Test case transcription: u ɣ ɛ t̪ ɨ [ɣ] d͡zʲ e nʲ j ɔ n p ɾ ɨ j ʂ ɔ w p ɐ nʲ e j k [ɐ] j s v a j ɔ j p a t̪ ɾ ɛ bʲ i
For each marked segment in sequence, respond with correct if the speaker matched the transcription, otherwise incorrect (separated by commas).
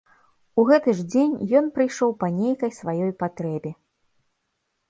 incorrect, correct